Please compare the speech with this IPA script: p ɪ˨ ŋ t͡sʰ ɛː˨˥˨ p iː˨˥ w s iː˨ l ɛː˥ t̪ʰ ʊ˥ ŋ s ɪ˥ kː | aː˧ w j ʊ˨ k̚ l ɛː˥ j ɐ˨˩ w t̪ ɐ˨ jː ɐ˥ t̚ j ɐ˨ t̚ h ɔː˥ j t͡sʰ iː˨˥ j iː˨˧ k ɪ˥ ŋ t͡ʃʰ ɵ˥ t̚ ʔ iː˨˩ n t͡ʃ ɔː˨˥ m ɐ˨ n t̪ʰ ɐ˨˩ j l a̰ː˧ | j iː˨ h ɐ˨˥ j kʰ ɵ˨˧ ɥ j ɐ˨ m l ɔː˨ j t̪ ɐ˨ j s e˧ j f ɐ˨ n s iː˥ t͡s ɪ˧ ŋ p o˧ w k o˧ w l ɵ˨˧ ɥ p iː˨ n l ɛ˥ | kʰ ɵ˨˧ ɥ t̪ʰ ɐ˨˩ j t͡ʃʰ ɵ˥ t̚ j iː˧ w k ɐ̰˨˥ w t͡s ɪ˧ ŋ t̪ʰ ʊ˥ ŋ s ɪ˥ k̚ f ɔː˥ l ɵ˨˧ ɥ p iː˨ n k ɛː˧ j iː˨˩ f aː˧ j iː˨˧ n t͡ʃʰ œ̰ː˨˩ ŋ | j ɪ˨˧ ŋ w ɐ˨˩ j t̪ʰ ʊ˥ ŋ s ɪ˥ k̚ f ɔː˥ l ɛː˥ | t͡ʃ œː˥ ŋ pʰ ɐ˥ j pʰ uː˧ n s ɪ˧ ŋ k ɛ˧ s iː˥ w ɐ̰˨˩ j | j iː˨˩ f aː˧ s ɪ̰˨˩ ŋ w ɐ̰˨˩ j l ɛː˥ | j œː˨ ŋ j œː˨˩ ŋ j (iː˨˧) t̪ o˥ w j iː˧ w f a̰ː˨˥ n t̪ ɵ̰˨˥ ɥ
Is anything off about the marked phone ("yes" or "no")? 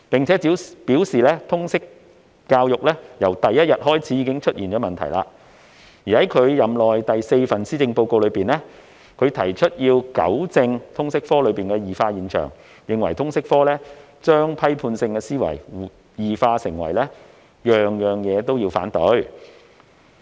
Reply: yes